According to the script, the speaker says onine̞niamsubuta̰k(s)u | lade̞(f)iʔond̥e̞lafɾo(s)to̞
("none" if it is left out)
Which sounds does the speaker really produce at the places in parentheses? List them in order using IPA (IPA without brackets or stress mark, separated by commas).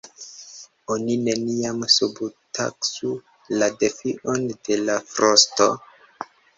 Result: s, f, s